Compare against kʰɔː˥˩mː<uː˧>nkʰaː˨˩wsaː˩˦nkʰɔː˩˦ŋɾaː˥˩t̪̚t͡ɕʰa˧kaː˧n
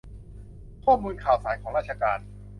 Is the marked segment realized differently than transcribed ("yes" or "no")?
no